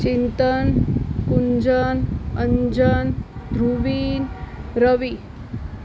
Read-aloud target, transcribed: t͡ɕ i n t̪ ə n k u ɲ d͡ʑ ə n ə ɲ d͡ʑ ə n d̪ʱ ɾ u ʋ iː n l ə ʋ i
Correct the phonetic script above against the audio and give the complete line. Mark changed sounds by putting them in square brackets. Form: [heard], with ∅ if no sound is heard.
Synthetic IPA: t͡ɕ i n t̪ ə n k u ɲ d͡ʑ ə n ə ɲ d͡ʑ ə n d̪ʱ ɾ u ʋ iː n [ɾ] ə ʋ i